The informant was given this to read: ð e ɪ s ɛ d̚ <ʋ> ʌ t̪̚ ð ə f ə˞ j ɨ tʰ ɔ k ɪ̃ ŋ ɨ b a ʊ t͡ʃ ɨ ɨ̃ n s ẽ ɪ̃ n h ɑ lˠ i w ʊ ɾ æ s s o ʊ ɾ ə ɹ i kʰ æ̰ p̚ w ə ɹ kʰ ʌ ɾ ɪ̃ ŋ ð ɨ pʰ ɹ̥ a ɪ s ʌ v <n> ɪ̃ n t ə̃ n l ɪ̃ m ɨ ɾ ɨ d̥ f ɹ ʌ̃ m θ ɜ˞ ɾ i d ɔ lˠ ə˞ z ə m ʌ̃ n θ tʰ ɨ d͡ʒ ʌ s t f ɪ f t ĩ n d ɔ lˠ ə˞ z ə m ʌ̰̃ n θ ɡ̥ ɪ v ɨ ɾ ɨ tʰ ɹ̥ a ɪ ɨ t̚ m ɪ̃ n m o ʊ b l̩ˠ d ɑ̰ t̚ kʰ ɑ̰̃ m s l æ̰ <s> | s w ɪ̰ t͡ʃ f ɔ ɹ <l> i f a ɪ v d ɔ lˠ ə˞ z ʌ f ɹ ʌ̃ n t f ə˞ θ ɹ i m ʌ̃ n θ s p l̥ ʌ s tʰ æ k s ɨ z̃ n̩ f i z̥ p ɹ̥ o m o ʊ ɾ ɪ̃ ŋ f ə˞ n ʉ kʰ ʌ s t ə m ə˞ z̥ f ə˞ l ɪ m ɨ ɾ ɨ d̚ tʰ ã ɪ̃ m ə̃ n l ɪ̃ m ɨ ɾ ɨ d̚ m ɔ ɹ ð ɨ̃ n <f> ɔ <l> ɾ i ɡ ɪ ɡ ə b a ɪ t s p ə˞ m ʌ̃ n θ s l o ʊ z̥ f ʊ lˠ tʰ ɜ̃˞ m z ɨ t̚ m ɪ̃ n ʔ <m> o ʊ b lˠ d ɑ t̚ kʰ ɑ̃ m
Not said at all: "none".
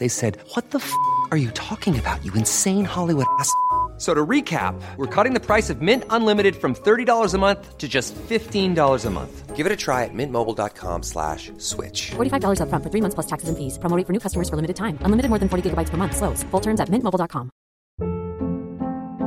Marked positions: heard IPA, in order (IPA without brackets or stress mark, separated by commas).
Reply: w, m, ʃ, ɾ, f, ɹ, m